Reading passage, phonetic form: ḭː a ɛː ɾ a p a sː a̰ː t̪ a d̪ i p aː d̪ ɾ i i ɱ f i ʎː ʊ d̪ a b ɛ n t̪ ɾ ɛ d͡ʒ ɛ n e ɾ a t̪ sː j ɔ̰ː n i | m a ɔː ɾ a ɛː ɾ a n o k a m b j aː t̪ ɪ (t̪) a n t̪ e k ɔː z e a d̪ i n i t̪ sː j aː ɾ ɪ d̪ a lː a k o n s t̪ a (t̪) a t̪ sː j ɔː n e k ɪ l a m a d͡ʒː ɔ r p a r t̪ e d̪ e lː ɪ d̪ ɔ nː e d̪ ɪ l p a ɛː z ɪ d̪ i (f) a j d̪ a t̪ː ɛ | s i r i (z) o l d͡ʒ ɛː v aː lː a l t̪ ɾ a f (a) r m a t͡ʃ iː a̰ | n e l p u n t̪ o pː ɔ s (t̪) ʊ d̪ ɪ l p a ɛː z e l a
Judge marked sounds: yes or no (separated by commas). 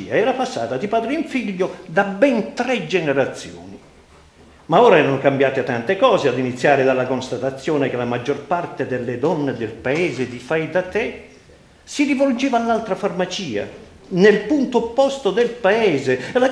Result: yes, yes, yes, no, yes, yes